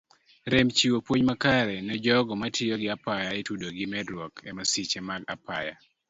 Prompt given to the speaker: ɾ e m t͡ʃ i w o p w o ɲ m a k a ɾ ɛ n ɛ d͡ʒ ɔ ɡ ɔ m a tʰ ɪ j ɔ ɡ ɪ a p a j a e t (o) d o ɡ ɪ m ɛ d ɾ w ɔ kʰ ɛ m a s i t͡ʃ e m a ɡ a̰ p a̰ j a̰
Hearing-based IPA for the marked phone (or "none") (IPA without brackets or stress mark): u